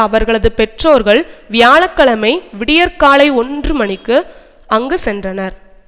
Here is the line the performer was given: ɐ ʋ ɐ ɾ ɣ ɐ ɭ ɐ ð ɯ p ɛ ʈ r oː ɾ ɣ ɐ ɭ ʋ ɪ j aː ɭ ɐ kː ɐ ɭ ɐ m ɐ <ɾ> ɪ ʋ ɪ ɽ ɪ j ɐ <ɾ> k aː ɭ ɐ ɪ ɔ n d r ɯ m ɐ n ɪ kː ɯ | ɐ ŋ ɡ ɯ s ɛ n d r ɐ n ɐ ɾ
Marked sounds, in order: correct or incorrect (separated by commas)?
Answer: incorrect, correct